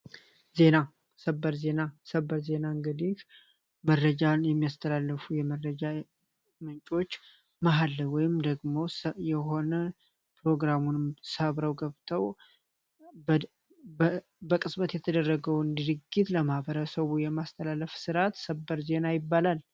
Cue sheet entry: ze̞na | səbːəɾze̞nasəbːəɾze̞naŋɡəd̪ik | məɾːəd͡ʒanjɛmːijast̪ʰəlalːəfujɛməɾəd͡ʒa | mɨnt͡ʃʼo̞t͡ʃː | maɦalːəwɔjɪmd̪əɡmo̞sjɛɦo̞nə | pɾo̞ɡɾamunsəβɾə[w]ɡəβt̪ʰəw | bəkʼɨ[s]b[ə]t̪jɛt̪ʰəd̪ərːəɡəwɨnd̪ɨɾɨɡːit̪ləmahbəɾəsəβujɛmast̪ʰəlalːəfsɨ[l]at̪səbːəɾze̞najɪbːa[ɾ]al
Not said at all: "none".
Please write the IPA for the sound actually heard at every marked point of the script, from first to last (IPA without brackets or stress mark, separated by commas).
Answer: w, s, ə, ɾ, l